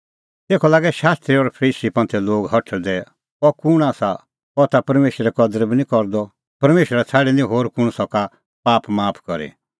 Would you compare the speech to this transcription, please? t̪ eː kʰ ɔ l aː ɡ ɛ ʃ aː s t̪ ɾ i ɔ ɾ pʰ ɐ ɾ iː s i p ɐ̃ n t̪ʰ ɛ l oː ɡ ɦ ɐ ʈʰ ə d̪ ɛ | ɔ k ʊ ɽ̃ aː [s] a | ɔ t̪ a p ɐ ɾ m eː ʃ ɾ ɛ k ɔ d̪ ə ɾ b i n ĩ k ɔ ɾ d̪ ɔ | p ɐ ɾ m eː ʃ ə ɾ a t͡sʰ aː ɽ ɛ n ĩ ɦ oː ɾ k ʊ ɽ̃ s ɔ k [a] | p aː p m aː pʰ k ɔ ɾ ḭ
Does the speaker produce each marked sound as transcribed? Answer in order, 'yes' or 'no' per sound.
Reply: yes, yes

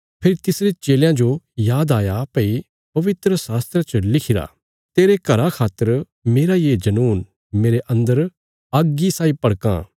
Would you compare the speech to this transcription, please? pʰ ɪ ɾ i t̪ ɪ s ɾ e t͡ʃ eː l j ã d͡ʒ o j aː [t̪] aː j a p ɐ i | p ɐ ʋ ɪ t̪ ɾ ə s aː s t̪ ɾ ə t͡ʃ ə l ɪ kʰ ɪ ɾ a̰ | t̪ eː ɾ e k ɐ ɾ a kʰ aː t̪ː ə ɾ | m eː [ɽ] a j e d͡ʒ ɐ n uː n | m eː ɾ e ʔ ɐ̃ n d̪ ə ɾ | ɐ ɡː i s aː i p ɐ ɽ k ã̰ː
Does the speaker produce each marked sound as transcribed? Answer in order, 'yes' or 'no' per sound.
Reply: no, no

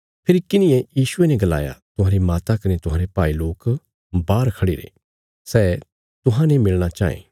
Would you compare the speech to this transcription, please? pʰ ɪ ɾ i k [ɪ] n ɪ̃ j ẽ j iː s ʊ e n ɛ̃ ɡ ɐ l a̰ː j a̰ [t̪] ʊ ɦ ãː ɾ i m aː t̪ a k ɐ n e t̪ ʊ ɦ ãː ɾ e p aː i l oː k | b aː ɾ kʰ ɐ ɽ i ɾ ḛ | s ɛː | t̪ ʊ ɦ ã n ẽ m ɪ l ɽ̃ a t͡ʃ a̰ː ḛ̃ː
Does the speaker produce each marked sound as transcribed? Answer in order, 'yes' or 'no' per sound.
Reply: yes, yes

